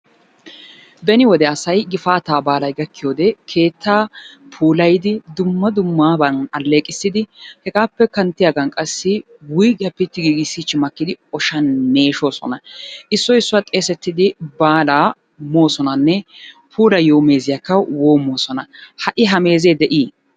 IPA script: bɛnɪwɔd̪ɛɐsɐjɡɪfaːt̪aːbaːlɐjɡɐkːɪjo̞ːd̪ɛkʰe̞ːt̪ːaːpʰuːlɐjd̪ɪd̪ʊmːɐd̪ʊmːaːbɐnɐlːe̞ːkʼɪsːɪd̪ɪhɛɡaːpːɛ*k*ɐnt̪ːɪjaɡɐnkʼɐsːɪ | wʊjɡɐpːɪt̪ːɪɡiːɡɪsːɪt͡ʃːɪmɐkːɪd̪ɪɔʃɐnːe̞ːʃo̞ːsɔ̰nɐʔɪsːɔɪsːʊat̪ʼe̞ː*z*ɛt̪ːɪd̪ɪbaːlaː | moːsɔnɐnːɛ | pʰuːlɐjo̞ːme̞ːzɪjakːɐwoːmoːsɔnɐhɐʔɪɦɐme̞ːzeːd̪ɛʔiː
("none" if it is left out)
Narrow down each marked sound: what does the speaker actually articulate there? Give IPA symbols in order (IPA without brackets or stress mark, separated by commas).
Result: k, s